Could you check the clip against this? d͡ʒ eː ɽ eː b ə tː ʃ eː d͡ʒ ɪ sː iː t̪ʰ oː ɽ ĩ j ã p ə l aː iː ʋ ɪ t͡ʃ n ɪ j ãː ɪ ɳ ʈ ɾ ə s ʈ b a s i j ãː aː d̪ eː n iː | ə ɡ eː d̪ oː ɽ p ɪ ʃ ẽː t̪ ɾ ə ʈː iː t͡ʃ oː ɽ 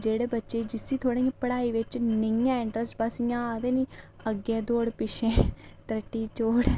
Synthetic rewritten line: d͡ʒ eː ɽ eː b ə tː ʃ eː d͡ʒ ɪ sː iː t̪ʰ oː ɽ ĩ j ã p ə ɽ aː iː ʋ ɪ t͡ʃ n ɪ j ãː ɪ ɳ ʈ ɾ ə s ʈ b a s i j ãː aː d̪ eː n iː | ə ɡ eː d̪ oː ɽ p ɪ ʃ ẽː t̪ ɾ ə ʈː iː t͡ʃ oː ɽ

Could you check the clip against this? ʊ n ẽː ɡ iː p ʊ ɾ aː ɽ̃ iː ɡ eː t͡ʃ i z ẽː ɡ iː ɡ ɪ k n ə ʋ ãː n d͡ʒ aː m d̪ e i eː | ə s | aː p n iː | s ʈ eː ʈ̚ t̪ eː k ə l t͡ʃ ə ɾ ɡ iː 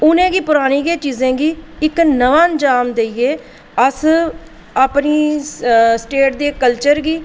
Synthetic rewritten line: ʊ n ẽː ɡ iː p ʊ ɾ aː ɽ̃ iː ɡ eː t͡ʃ iː z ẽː ɡ iː ɪ k n ə ʋ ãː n d͡ʒ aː m d̪ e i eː | ə s | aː p n iː | s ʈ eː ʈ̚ d̪ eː k ə l t͡ʃ ə ɾ ɡ iː

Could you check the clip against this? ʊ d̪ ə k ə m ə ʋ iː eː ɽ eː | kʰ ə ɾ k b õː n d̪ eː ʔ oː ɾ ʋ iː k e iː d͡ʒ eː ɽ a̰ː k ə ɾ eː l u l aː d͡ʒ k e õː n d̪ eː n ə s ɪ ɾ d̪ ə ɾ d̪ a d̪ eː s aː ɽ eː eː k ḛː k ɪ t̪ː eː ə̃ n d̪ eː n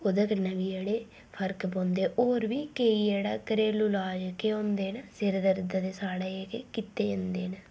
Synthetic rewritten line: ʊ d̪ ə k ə n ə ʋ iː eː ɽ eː | pʰ ə ɾ k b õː n d̪ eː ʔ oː ɾ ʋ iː k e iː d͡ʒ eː ɽ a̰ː k ə ɾ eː l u l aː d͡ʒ k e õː n d̪ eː n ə s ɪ ɾ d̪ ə ɾ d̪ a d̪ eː s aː ɽ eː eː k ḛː k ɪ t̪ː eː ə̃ n d̪ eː n

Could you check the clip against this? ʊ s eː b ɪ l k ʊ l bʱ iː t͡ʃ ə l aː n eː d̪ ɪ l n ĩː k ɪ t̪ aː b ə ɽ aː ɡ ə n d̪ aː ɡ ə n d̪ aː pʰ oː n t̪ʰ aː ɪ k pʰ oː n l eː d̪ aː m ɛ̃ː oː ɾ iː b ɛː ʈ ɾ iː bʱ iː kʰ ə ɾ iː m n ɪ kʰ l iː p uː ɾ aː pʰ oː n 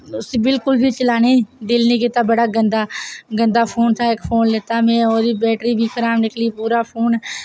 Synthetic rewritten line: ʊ s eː b ɪ l k ʊ l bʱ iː t͡ʃ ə l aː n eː d̪ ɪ l n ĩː k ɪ t̪ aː b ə ɽ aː ɡ ə n d̪ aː ɡ ə n d̪ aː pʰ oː n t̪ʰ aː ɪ k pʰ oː n l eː t̪ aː m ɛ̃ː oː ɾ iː b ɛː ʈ ɾ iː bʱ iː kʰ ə ɾ aː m n ɪ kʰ l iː p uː ɾ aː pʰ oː n

